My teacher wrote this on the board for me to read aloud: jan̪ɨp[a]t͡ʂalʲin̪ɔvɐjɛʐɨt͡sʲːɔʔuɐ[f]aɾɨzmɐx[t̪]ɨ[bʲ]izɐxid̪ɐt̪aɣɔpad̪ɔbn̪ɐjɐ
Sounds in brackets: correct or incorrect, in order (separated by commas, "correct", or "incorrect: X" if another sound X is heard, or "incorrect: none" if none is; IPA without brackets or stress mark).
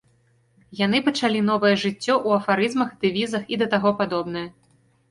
incorrect: ɐ, correct, incorrect: d̪, incorrect: vʲ